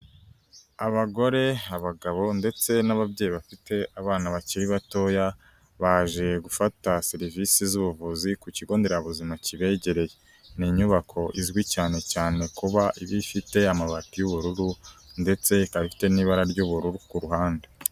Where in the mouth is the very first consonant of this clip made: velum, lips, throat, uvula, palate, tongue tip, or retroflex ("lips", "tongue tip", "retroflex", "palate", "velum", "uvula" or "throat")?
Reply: lips